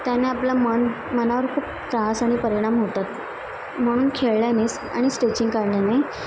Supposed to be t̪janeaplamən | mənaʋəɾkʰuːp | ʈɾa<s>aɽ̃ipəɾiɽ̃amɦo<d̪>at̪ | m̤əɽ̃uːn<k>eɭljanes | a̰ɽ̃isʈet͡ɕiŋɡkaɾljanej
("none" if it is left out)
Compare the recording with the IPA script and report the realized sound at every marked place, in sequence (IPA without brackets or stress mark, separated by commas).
s, t̪, kʰ